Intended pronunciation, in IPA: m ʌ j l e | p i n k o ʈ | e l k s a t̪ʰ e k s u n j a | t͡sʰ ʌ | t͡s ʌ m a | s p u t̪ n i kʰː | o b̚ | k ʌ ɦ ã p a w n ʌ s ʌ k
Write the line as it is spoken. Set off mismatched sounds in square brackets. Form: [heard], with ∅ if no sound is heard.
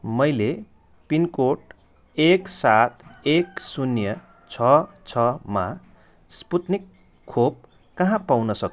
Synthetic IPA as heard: m ʌ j l e | p i n k o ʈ | e [∅] k s a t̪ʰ e k s u n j [ʌ] | t͡sʰ ʌ | [t͡sʰ] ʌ m a | s p u t̪ n i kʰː | o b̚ | k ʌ ɦ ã p a w n ʌ s ʌ k